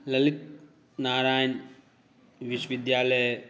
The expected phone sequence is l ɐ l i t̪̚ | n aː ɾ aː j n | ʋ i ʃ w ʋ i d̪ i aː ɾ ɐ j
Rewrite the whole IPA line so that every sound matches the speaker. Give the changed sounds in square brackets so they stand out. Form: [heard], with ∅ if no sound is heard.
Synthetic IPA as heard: l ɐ l i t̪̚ | n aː ɾ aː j n | ʋ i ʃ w ʋ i d̪ [j] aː [l] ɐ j